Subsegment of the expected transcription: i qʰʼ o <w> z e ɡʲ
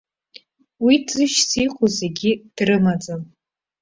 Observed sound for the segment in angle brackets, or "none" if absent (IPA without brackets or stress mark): none